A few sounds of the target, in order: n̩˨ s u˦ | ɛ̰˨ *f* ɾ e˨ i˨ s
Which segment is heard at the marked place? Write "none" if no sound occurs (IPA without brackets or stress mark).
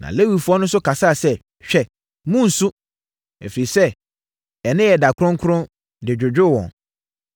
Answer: f